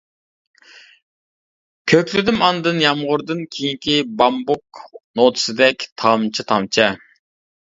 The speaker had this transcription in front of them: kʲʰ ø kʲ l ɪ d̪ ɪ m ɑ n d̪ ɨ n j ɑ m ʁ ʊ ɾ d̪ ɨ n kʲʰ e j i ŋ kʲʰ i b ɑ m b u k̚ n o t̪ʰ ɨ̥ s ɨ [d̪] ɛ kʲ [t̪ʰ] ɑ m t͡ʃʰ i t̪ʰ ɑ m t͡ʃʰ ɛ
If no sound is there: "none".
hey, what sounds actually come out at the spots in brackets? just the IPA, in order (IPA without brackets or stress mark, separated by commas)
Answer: d̪, t̪ʰ